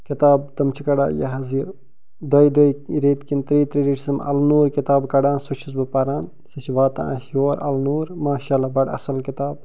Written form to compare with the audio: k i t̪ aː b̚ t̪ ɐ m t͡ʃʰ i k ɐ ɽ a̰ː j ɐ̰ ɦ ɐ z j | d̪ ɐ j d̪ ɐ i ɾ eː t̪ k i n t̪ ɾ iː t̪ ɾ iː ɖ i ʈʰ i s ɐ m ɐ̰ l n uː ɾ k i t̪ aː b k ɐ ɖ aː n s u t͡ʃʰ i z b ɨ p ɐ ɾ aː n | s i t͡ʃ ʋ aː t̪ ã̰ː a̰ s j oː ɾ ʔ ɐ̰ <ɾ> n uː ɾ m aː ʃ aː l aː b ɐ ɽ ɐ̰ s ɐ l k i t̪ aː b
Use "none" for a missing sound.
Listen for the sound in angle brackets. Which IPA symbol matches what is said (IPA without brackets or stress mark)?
l